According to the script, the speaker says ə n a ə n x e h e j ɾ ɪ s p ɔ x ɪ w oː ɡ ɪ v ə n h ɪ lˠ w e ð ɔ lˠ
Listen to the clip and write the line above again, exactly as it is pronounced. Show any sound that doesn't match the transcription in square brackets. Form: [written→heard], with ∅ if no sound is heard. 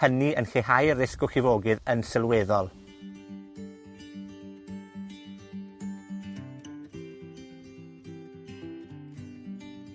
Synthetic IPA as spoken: ə n [a→i] ə n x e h [e→a] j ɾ ɪ s [p→k] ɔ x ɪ [w→v] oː ɡ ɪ [v→ð] ə n [h→s] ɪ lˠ w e ð ɔ lˠ